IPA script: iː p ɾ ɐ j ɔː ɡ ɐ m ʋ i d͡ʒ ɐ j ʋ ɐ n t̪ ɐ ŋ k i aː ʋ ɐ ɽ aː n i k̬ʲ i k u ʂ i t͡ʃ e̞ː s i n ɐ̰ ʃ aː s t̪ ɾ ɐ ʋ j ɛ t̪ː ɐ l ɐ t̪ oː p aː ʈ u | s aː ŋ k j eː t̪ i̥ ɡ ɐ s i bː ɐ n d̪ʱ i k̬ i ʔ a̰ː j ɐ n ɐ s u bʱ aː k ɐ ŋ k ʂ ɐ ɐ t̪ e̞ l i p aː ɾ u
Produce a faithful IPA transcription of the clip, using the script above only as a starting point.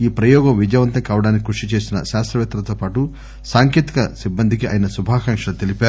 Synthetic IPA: iː p ɾ ɐ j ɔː ɡ ɐ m ʋ i d͡ʒ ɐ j ʋ ɐ n t̪ ɐ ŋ k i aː ʋ ɐ ɽ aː n i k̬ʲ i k u ʂ i t͡ʃ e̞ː s i n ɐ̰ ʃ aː s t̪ ɾ ɐ ʋ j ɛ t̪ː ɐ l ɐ t̪ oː p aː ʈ u | s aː ŋ k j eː t̪ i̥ k ɐ s i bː ɐ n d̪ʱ i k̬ i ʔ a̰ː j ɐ n ɐ s u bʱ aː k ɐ ŋ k ʂ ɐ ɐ t̪ e̞ l i p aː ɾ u